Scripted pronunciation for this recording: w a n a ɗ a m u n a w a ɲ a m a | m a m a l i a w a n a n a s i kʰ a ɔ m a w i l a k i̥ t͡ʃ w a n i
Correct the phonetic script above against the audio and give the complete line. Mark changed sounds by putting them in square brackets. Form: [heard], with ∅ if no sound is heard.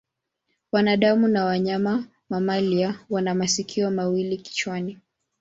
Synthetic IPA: w a n a ɗ a m u n a w a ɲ a m a | m a m a l i a w a n a [m] a s i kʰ [i] ɔ m a w i l [i] k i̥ t͡ʃ w a n i